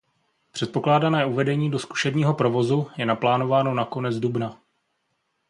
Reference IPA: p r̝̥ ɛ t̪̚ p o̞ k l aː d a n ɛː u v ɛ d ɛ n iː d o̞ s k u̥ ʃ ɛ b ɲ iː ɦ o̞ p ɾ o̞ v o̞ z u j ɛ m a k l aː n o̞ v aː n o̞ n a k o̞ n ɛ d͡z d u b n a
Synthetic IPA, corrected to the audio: p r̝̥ ɛ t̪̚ p o̞ k l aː d a n ɛː u v ɛ d ɛ ɲ iː d o̞ s k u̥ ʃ ɛ b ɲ iː ɦ o̞ p ɾ o̞ v o̞ z u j ɛ n a p l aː n o̞ v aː n o̞ n a k o̞ n ɛ d͡z d u b n a